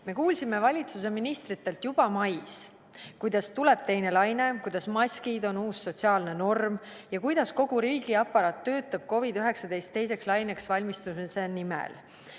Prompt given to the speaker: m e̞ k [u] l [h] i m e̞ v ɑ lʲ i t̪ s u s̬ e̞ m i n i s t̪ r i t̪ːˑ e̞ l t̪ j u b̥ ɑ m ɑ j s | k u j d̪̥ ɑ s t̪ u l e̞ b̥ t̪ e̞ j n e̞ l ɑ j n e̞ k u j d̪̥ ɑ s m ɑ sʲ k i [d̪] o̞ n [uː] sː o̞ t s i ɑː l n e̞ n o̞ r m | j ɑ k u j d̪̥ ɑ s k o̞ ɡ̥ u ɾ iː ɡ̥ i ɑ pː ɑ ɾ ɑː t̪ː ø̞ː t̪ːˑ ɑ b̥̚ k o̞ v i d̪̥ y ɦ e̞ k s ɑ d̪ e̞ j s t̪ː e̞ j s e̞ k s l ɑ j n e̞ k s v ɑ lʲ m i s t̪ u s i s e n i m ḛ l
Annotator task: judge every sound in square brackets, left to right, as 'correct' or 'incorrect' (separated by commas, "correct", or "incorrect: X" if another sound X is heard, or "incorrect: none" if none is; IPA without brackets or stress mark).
incorrect: uː, incorrect: s, correct, correct